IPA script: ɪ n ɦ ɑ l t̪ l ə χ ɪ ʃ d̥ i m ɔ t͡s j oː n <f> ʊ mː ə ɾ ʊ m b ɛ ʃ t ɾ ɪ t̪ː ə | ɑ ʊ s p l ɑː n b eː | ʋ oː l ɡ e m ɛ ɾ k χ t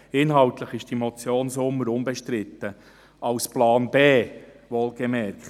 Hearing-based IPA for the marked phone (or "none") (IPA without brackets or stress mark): s